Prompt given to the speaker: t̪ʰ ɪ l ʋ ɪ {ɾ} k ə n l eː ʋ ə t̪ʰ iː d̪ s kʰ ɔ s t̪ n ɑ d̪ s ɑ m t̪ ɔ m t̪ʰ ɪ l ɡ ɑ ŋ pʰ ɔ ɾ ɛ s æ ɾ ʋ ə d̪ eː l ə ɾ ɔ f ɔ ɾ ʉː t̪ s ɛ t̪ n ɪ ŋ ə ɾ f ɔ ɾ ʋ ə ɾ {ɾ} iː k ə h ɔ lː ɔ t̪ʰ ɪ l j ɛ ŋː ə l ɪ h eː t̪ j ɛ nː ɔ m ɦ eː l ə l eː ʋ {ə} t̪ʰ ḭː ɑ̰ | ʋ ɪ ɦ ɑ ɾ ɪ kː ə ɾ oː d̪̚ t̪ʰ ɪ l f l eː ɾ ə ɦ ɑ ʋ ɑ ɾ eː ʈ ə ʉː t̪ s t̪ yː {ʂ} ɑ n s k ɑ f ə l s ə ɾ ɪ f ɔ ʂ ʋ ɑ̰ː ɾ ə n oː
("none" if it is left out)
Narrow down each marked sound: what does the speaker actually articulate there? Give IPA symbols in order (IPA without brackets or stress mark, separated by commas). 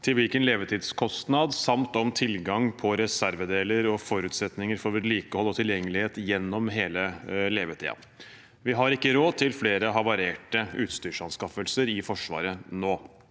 l, l, ə, ʂ